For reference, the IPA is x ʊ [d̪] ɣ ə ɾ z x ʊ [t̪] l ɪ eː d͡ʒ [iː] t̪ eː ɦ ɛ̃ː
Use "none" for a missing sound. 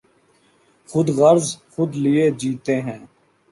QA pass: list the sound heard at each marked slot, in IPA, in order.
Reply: d̪, d̪, iː

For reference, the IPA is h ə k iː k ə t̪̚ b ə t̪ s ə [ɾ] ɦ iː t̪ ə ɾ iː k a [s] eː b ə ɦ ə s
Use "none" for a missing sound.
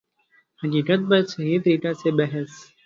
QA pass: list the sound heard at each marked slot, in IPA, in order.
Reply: none, s

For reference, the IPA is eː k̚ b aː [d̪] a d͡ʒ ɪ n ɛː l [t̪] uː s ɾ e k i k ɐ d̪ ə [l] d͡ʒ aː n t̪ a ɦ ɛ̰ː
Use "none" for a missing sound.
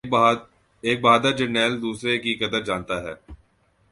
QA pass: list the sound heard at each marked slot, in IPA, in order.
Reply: d̪, d̪, ɾ

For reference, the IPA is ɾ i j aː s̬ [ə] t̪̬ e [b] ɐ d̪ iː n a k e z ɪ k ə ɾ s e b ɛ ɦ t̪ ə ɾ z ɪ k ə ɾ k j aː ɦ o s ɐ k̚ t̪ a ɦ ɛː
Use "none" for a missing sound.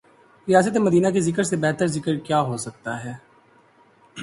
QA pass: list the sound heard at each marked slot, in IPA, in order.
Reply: ə, m

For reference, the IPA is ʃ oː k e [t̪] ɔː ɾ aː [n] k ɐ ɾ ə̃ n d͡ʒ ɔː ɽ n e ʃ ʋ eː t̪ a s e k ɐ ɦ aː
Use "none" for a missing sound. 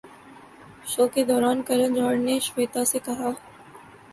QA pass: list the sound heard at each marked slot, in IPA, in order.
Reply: d̪, n

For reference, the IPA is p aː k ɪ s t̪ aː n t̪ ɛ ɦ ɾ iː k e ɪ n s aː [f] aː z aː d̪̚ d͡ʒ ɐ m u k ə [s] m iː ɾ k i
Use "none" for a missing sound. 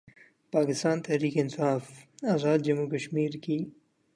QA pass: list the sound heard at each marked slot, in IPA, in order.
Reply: f, ʃ

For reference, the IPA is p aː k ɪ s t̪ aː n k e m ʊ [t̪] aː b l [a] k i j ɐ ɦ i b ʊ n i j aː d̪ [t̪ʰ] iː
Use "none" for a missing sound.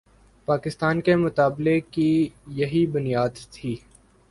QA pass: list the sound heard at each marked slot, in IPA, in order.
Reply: t̪, e, t̪ʰ

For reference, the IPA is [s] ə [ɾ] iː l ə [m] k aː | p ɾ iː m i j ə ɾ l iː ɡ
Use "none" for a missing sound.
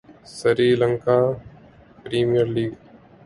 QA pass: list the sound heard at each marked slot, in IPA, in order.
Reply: s, ɾ, ŋ

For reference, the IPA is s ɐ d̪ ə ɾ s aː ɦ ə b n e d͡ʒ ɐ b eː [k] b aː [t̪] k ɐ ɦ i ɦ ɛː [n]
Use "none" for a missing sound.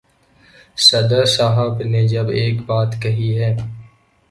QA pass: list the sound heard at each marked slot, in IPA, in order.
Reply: k, t̪, none

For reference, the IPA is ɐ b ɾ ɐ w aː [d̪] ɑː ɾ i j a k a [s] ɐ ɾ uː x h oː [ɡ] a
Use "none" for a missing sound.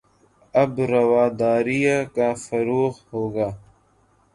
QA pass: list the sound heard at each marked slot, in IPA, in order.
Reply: d̪, f, ɡ

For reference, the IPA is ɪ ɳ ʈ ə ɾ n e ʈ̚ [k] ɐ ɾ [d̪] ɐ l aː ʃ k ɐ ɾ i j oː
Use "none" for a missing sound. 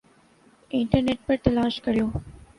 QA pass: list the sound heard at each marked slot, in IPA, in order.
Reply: p, t̪

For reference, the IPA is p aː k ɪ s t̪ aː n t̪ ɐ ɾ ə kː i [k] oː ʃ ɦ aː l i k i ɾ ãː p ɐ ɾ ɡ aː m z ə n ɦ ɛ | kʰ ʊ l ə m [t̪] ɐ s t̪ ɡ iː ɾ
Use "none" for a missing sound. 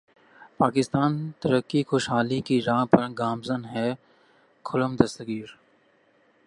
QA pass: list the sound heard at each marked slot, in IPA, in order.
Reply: x, d̪

